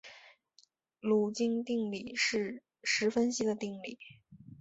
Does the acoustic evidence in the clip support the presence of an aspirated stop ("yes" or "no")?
no